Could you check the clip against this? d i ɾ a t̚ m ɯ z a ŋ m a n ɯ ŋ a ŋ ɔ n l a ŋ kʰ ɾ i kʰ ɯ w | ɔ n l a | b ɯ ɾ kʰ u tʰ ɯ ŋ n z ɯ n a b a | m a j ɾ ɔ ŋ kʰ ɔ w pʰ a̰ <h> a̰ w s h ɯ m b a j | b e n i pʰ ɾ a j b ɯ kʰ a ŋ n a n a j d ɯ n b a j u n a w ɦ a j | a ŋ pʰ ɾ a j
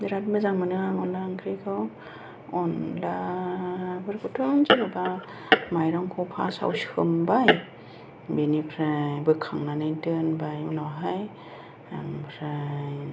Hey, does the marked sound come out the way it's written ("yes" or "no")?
no